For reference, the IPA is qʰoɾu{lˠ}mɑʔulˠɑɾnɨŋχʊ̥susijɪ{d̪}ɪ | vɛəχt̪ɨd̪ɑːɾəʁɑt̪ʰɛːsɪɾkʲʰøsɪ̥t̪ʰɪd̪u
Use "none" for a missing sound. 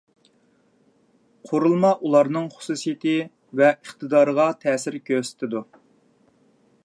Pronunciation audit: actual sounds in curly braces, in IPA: lˠ, t̪

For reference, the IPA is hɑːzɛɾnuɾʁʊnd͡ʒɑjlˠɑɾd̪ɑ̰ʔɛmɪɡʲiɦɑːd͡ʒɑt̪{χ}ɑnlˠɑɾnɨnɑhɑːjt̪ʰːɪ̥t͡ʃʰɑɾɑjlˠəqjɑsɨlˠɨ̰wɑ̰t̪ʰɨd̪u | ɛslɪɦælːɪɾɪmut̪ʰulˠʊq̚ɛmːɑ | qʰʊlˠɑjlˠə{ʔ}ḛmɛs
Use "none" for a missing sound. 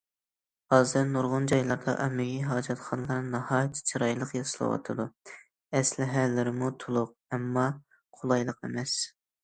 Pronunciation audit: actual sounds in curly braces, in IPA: χ, q

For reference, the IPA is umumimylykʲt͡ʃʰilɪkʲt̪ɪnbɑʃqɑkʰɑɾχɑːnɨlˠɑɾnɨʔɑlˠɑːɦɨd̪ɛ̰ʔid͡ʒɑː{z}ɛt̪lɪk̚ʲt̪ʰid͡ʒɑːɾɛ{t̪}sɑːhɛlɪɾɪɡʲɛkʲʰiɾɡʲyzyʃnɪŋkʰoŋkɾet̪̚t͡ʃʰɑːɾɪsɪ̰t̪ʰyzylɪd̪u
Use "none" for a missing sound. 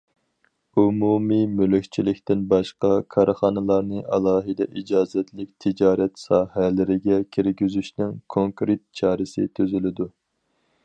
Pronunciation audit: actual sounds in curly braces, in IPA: z, t̪

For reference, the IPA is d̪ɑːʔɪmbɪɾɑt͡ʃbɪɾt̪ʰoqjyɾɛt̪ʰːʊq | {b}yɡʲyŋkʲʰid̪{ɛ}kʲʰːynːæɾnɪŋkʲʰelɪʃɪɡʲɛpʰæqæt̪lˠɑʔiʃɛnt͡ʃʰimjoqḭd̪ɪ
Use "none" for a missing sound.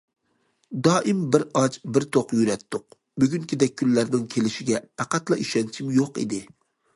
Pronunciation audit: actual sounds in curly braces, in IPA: b, ɛ

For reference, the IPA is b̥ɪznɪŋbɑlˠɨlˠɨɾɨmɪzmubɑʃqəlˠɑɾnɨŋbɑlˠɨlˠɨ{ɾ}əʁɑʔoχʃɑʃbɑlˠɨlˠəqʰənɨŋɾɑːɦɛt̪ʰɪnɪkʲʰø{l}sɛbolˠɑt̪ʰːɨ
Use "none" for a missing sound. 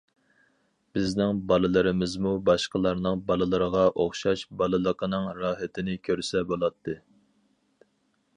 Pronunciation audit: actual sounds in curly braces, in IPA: ɾ, ɾ

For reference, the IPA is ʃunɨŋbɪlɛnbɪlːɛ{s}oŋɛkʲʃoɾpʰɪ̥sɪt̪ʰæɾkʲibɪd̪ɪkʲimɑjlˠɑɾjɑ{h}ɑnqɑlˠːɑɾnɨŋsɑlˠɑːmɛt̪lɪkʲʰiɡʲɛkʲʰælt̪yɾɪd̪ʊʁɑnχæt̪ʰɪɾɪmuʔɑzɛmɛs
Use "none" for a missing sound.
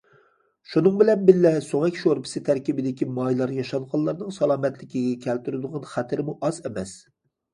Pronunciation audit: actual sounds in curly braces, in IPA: s, ʃ

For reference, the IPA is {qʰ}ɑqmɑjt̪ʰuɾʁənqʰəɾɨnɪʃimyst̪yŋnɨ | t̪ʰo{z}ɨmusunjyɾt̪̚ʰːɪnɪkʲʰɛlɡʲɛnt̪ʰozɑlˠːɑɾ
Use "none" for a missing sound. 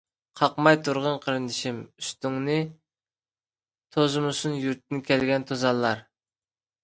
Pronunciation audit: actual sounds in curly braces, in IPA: qʰ, z

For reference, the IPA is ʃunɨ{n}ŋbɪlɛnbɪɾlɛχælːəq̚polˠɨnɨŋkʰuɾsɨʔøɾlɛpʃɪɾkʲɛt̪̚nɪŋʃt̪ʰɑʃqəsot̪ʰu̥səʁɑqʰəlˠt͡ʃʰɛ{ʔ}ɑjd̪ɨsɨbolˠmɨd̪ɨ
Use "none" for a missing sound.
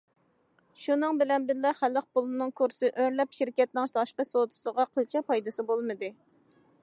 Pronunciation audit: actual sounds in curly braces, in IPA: none, p

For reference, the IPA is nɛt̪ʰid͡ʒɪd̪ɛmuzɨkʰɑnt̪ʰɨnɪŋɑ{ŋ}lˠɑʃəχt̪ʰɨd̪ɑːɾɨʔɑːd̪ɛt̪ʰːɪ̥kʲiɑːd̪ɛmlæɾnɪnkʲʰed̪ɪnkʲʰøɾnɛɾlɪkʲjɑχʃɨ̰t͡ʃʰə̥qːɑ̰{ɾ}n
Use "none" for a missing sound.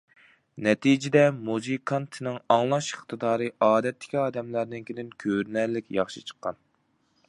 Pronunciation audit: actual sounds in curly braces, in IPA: ŋ, none

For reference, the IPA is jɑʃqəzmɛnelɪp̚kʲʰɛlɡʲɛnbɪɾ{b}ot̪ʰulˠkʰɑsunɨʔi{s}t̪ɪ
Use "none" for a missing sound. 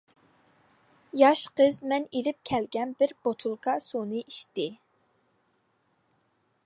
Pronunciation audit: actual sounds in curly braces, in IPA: b, ʃ

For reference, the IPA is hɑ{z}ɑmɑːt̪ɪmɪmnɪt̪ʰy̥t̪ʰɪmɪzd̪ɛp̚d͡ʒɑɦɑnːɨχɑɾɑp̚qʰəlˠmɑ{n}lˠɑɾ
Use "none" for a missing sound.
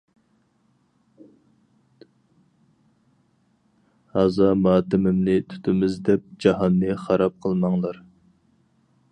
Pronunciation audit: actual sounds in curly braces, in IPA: z, ŋ

